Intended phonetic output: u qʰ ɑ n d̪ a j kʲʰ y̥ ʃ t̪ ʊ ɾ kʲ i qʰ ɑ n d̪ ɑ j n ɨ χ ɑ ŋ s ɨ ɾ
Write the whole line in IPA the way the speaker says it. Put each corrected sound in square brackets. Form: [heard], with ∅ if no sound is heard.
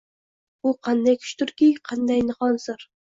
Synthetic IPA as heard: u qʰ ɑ n d̪ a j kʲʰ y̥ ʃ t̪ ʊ ɾ kʲ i qʰ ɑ n d̪ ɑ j n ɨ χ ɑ [n] s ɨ ɾ